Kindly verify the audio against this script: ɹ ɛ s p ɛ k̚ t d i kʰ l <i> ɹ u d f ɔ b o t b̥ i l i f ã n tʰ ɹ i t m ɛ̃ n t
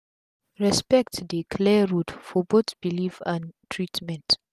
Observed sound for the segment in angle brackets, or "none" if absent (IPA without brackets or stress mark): ɛ